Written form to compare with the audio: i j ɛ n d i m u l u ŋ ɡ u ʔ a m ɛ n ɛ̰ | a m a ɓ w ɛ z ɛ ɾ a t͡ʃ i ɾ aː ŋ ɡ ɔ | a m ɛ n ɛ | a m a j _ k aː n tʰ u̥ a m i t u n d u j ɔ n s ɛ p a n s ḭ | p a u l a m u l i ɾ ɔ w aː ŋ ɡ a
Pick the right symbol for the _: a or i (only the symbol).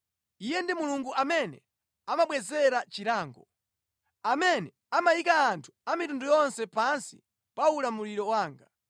i